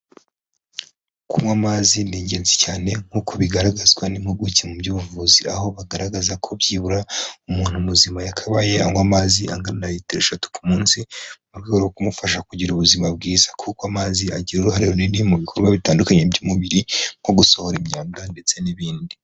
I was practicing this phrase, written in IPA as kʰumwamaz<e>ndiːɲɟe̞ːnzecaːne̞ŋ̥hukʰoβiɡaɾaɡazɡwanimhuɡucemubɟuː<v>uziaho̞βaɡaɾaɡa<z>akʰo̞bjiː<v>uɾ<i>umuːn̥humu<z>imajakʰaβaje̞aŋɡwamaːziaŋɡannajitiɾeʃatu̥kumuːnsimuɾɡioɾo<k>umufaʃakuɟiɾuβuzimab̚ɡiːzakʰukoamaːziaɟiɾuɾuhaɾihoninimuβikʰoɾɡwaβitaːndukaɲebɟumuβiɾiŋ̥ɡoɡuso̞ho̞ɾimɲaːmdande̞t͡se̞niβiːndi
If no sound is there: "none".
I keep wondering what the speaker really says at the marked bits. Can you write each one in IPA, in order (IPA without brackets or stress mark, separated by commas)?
i, v, z, β, a, z, k